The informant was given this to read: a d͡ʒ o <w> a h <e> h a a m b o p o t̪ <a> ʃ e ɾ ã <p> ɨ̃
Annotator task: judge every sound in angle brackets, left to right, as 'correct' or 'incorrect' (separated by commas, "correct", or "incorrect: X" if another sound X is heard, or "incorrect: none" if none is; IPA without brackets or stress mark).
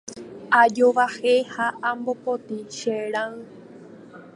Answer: incorrect: ʋ, correct, incorrect: i, incorrect: none